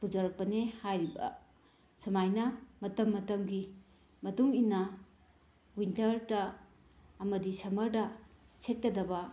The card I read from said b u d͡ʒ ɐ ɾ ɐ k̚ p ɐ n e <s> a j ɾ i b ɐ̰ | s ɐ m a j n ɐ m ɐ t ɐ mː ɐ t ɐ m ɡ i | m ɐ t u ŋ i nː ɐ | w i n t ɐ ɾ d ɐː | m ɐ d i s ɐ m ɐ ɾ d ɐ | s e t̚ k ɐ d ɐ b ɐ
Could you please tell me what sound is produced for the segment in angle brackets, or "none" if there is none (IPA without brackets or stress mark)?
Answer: h